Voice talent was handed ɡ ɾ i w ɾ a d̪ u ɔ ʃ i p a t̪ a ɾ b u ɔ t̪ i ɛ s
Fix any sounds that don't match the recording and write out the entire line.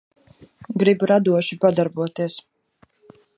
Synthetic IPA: ɡ ɾ i b ɾ a d̪ u ɔ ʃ i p a d̪ a ɾ b u ɔ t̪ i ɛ s